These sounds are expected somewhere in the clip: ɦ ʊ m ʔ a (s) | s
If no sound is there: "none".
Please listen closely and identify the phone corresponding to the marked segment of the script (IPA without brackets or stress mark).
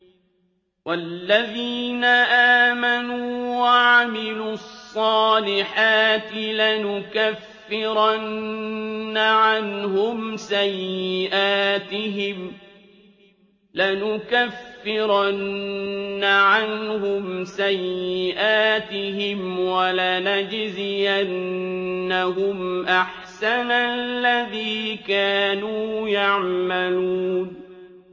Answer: ħ